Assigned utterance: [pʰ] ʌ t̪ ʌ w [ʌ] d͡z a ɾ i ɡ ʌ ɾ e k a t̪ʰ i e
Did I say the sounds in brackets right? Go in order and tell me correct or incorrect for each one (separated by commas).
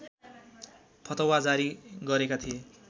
correct, incorrect